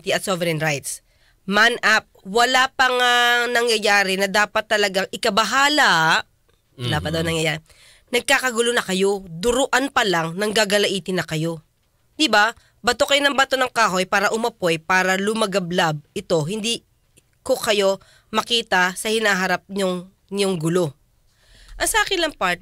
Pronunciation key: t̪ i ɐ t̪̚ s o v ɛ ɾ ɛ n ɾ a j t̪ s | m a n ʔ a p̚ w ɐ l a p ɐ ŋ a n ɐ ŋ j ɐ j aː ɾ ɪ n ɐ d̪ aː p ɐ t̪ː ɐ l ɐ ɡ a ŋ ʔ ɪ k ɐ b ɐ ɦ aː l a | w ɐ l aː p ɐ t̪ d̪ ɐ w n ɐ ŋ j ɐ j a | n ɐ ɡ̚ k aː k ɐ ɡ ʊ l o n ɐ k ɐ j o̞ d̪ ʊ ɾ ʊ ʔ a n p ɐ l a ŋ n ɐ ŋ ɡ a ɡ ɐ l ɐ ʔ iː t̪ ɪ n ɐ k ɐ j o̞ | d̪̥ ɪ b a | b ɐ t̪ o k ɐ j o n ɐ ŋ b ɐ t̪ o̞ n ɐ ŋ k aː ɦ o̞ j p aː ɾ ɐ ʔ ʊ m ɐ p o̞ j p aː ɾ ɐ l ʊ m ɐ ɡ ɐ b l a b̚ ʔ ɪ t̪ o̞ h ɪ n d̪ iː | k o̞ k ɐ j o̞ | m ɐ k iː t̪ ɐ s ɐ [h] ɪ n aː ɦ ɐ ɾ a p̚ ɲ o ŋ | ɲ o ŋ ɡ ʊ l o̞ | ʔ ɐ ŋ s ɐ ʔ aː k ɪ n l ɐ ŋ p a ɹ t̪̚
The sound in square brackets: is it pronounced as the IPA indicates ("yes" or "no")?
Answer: yes